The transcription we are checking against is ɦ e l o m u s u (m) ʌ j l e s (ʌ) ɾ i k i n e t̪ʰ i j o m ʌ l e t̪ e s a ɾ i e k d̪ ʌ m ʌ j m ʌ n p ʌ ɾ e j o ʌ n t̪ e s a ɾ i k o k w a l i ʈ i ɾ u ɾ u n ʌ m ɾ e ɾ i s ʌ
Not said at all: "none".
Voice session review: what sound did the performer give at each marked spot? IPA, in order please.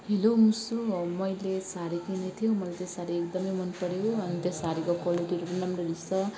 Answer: m, a

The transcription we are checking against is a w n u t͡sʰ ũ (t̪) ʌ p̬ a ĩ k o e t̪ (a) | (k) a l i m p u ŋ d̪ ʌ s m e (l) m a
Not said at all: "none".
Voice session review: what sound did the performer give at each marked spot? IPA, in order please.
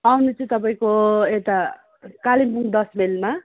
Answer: t̪, a, k, l

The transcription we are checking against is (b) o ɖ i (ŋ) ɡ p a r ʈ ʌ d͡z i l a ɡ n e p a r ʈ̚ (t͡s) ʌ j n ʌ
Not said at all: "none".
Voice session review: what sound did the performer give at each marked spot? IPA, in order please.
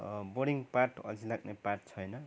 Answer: b, ŋ, t͡sʰ

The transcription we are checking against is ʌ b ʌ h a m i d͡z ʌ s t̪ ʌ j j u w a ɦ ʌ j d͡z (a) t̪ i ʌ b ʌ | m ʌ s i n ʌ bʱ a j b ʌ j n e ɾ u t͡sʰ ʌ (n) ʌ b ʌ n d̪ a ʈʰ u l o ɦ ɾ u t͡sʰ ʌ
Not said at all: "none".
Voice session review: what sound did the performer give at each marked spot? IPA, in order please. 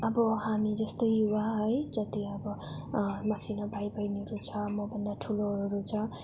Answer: ʌ, m

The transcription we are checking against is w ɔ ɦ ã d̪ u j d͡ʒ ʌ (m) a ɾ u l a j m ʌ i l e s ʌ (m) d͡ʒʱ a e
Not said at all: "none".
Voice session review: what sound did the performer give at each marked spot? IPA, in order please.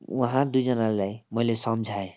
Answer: n, m

